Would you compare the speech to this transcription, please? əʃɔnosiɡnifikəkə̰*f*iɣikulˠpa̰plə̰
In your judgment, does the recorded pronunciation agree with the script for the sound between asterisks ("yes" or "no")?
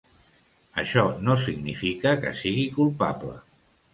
no